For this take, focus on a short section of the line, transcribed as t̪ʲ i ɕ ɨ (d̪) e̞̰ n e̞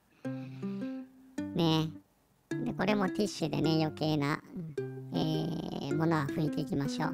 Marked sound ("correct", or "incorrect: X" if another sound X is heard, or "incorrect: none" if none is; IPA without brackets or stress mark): correct